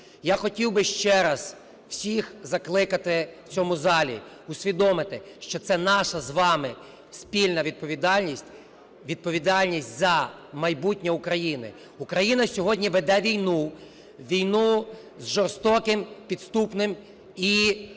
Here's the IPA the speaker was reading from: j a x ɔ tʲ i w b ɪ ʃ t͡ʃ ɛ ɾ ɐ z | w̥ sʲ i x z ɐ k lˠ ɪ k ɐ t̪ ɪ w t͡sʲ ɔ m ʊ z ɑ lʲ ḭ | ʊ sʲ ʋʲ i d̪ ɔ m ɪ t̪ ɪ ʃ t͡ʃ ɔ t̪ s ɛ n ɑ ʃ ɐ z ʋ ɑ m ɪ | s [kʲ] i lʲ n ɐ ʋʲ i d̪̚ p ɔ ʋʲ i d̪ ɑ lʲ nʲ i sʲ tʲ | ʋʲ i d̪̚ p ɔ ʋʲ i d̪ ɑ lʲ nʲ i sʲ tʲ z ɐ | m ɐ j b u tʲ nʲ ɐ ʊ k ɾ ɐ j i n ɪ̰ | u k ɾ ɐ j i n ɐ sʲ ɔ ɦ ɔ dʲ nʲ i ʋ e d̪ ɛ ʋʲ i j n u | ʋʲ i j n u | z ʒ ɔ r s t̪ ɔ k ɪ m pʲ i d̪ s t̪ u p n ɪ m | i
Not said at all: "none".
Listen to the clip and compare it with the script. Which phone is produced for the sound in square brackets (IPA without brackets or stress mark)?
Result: pʲ